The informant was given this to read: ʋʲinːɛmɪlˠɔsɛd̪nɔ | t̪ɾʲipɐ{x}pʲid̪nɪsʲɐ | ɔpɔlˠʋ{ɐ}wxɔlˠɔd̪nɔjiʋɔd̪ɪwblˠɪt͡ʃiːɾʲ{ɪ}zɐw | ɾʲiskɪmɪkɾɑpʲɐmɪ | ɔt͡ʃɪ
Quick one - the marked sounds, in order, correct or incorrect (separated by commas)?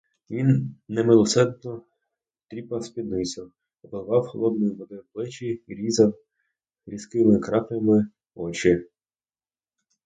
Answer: incorrect, incorrect, incorrect